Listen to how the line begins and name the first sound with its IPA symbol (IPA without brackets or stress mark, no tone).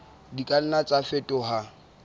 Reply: d